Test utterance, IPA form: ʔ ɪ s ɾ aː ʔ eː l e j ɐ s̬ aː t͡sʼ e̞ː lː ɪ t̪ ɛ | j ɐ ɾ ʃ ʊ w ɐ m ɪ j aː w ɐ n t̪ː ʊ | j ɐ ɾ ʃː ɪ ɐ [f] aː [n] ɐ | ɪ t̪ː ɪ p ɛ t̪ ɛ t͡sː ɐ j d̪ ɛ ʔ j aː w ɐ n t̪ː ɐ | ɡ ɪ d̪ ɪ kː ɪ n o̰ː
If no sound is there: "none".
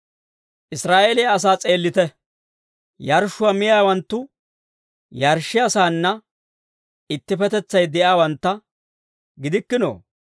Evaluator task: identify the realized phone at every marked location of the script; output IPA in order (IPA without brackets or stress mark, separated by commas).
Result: s, nː